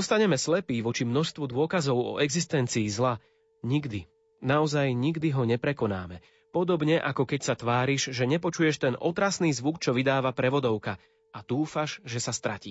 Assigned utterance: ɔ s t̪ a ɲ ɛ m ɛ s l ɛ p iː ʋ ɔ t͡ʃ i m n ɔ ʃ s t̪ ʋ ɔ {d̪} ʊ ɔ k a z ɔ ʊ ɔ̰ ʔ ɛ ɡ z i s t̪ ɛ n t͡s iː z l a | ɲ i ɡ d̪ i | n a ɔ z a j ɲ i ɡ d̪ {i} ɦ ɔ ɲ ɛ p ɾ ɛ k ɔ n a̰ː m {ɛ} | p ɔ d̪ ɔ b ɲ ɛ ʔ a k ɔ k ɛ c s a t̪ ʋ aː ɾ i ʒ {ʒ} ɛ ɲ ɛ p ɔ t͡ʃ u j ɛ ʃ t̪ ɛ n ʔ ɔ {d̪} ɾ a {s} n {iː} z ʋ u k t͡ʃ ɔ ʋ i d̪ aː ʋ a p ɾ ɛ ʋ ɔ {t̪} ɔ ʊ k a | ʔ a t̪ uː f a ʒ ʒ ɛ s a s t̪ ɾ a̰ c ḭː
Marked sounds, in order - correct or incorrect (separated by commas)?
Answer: correct, correct, correct, correct, incorrect, correct, correct, incorrect